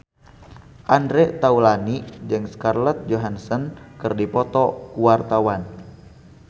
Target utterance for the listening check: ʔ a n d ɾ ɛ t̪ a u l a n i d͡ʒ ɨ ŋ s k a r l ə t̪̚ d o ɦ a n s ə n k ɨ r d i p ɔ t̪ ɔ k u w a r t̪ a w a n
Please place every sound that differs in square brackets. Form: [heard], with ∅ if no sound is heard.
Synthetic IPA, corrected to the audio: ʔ a n d ɾ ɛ t̪ a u l a n i d͡ʒ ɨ ŋ s k a r l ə t̪̚ [d͡ʒ] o ɦ a n s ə n k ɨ r d i p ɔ t̪ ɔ k u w a r t̪ a w a n